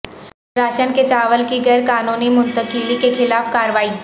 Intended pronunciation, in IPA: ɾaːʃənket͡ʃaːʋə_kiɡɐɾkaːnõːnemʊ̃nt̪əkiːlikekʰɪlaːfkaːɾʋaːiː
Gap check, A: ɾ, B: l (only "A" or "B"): B